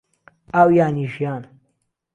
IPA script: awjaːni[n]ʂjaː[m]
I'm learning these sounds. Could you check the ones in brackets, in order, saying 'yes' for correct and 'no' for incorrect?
no, no

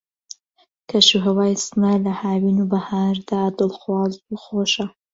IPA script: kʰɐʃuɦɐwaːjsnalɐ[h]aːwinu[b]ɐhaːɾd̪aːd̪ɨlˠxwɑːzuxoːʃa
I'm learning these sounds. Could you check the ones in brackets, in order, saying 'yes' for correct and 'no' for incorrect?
yes, yes

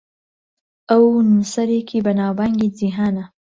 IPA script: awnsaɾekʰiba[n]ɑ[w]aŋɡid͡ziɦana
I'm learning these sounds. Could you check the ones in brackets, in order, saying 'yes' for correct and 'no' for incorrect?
yes, no

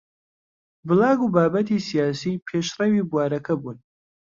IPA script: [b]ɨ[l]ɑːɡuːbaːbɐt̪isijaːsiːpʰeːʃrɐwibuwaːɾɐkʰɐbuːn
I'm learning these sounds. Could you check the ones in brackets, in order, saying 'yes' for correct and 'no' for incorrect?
yes, yes

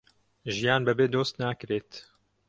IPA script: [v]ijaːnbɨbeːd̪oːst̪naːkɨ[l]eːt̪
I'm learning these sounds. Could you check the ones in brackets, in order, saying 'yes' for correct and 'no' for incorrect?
no, no

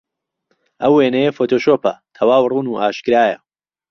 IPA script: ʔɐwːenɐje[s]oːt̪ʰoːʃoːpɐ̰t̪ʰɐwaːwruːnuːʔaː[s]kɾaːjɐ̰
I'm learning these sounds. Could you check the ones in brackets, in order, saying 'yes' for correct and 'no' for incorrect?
no, no

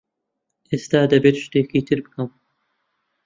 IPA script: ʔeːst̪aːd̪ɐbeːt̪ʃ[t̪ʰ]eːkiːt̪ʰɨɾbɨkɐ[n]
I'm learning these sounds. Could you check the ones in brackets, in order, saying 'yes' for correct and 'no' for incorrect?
no, no

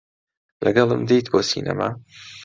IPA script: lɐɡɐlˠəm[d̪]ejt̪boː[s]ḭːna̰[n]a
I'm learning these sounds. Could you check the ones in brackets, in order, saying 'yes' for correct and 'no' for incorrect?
yes, yes, no

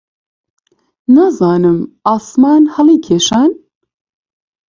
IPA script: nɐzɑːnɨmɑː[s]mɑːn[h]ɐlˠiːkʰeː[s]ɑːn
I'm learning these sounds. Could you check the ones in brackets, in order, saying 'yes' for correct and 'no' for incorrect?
yes, yes, no

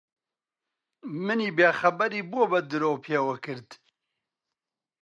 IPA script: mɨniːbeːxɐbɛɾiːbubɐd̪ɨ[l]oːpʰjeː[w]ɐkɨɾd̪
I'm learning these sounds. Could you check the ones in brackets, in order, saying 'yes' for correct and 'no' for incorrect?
no, yes

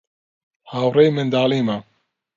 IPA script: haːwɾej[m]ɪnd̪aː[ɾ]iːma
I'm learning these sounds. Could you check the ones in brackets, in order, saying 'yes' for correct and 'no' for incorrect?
yes, no

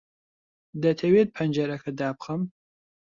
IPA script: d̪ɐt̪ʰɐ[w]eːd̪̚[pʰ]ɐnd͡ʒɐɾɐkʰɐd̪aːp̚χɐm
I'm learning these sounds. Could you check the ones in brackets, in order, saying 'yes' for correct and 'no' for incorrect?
yes, yes

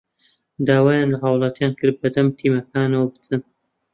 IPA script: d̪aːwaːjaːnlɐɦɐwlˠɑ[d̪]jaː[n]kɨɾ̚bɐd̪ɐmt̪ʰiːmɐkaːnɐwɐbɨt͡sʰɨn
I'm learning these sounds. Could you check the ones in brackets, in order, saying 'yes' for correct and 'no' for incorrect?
no, yes

